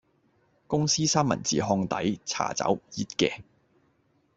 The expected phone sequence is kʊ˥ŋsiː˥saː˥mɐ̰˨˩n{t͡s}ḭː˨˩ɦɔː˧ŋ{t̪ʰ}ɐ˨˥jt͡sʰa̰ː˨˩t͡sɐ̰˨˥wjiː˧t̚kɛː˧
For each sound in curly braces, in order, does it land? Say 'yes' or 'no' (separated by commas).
yes, no